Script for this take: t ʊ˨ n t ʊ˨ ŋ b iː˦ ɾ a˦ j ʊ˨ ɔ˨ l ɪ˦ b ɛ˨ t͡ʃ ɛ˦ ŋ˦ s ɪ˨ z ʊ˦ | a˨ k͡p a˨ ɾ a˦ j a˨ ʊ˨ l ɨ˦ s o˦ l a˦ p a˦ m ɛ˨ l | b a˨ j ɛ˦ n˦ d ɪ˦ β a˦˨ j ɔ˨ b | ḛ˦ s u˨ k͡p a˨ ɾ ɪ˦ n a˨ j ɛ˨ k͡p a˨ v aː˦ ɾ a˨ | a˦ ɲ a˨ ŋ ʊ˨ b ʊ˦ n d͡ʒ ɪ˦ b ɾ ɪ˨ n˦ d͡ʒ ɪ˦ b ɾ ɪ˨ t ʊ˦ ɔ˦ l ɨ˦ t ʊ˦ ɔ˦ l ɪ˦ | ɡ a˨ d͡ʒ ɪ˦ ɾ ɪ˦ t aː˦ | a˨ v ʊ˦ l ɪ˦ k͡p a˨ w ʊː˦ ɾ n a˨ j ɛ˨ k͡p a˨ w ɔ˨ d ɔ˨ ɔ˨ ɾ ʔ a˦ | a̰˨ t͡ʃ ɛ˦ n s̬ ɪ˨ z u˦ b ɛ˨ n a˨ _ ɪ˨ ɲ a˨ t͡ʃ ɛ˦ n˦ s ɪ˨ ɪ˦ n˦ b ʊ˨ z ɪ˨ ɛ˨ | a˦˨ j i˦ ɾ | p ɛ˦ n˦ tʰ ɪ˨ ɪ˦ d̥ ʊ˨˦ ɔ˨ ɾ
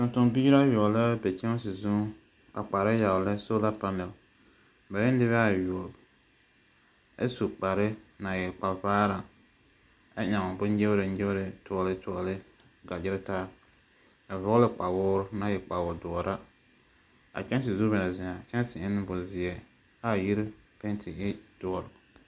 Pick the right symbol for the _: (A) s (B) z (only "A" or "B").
B